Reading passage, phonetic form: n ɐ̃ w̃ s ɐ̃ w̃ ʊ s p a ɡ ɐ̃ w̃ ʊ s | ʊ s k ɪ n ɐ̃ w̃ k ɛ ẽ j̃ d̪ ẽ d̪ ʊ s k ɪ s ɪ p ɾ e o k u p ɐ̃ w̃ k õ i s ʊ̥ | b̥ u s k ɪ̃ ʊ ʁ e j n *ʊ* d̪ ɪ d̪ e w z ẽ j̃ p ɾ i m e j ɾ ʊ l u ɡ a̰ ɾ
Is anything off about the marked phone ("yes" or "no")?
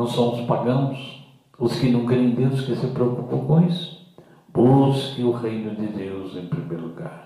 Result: no